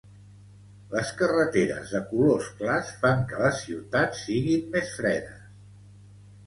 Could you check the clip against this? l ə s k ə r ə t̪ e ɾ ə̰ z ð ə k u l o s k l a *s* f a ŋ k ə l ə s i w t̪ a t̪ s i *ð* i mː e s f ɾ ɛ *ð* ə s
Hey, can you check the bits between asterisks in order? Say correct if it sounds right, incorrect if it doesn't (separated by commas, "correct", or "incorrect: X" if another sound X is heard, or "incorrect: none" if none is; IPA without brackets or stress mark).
correct, incorrect: ɣ, correct